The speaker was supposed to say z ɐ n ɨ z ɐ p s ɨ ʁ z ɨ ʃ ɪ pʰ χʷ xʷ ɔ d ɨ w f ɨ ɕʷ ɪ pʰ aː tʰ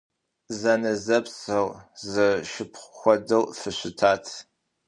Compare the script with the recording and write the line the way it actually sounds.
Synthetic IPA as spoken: z ɐ n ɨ z ɐ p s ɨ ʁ z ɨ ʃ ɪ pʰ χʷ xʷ ɔ d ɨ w f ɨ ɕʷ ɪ tʰ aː tʰ

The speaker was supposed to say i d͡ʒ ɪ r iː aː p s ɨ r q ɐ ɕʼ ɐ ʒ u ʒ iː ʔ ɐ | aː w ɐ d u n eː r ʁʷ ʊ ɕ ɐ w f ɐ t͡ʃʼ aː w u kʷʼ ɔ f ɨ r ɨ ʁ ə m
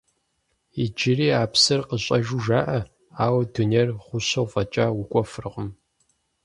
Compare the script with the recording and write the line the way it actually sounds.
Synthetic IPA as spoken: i d͡ʒ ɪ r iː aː p s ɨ r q ə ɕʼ ɐ ʒ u ʒ aː ʔ ɐ | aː w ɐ d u n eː r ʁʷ ʊ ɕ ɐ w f ɐ t͡ʃʼ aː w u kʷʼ ɔ f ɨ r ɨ ʁ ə m

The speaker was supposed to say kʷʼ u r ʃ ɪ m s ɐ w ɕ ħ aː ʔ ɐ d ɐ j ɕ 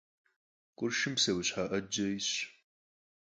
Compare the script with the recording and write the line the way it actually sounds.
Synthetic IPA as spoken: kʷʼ ʊ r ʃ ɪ m s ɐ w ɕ ħ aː ʔ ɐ d͡ʒ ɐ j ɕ

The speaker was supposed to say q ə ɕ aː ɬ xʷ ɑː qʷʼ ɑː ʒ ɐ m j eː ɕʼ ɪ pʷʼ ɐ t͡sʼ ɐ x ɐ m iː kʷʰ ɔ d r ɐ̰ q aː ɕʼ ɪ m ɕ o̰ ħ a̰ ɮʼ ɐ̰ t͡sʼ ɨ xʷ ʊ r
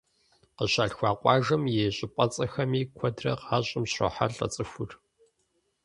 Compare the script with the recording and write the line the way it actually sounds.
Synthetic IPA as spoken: q ə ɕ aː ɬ xʷ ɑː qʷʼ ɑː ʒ ɐ m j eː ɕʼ ɪ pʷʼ ɐ t͡sʼ ɐ x ɐ m iː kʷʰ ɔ d r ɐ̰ q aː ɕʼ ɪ m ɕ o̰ ħ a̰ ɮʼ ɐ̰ t͡sʼ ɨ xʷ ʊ r

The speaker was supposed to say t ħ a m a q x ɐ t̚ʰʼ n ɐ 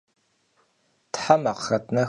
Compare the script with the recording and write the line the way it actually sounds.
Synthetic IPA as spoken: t ħ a m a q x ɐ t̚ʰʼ n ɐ

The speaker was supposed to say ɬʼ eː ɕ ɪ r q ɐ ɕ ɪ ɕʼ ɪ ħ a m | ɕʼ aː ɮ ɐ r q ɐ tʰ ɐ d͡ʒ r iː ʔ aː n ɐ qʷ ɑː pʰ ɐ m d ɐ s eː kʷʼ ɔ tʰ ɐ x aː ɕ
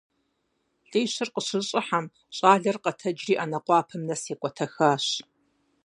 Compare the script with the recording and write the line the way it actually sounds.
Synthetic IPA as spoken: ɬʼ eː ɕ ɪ r q ə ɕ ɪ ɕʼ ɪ ħ a m | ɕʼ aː ɮ ɐ r q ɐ tʰ ɐ d͡ʒ r iː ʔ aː n ɐ qʷ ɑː pʰ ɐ m n ɐ s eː kʷʼ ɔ tʰ ɐ x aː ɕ

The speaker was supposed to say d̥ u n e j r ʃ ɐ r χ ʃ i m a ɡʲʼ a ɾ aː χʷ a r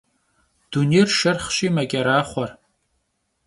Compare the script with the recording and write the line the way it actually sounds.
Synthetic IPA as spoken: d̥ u n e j r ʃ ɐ r χ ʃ i m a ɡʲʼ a ɾ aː χʷ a r

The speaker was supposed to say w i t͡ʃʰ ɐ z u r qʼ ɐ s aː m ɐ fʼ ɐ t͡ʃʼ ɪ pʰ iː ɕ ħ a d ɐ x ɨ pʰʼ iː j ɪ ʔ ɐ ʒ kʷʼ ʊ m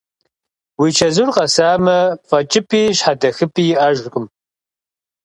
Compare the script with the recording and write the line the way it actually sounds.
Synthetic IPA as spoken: w i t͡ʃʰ ɐ z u r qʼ ɐ s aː m ɐ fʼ ɐ t͡ʃʼ ɪ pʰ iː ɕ ħ a d ɐ x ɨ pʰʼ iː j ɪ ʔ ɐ ʒ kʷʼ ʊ m

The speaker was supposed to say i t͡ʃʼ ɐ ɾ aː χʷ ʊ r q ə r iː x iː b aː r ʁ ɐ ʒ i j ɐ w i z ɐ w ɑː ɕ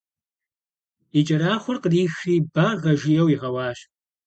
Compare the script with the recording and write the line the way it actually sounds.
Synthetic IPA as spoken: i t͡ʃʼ ɐ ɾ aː χʷ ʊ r q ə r iː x iː b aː r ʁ ɐ ʒ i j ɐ w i ʁ ɐ w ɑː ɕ

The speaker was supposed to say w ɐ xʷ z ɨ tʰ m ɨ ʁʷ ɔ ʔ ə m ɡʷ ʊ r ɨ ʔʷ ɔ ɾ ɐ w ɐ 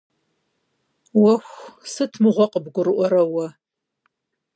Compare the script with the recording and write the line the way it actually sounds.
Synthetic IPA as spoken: w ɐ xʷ s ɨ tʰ m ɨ ʁʷ ɔ q ə b ɡʷ ʊ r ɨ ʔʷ ɔ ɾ ɐ w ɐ

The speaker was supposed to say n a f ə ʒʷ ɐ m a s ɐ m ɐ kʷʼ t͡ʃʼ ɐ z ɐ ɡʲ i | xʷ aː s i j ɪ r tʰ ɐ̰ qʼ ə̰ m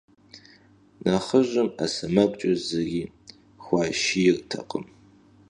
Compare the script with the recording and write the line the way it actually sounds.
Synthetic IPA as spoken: n a χ ə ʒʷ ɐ m a s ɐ m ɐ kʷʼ t͡ʃʼ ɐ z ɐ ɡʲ i | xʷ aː ʃ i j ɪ r tʰ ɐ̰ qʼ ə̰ m

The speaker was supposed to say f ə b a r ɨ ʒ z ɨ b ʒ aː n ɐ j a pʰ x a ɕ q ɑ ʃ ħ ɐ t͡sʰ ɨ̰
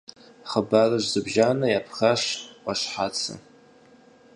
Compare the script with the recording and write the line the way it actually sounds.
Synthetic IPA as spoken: χ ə b a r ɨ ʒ z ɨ b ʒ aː n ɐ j a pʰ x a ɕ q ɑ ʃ ħ a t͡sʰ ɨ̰

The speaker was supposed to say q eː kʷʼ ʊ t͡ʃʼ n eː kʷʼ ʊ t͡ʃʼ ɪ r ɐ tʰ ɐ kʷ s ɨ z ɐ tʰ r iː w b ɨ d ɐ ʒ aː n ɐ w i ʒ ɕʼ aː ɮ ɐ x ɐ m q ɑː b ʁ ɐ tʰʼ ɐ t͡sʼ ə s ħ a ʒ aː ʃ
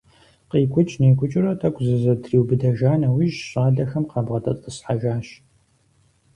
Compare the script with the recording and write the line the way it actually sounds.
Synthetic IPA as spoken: q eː kʷʼ ʊ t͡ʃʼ n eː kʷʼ ʊ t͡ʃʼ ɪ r ɐ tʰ ɐ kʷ z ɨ z ɐ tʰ r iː w b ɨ d ɐ ʒ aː n ɐ w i ʒ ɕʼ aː ɮ ɐ x ɐ m q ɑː b ʁ ɐ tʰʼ ɐ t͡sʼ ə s ħ a ʒ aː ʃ

